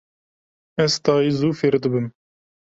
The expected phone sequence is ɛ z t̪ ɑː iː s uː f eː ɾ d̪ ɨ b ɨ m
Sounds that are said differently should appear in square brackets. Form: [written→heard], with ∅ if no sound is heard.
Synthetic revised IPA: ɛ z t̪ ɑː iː [s→z] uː f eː ɾ d̪ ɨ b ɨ m